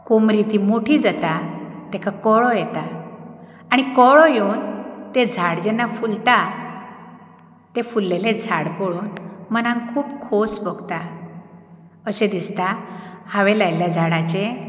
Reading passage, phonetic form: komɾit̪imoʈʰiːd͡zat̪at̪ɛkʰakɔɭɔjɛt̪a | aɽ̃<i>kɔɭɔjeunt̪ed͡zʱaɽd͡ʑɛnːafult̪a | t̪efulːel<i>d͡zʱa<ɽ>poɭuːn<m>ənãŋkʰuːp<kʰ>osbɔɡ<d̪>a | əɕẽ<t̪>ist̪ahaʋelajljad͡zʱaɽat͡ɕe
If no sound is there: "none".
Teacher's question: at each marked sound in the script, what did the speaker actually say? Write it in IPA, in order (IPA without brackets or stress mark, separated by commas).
i, e, ɽ, m, kʰ, t̪, d̪